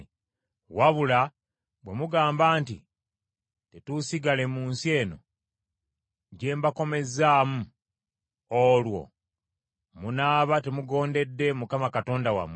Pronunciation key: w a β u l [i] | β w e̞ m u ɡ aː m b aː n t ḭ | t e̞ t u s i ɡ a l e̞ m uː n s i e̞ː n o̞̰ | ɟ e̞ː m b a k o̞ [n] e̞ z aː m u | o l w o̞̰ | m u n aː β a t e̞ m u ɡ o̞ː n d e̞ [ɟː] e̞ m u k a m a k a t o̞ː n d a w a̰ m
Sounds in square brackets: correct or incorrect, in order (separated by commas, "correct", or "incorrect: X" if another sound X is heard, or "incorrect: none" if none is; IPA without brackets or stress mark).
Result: incorrect: a, incorrect: m, incorrect: dː